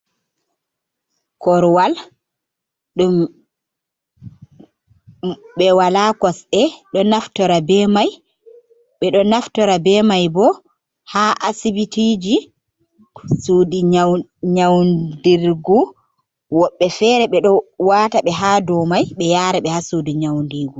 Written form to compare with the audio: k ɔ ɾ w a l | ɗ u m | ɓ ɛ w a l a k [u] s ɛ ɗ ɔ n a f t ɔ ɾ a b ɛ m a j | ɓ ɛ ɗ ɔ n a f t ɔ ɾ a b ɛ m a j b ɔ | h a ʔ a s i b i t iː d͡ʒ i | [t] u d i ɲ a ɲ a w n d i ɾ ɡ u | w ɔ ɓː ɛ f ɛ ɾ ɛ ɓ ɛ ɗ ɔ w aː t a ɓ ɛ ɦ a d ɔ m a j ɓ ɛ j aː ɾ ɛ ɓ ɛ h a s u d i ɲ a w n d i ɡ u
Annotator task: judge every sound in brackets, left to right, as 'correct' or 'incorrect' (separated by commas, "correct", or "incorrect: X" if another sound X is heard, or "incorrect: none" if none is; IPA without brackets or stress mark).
incorrect: ɔ, incorrect: s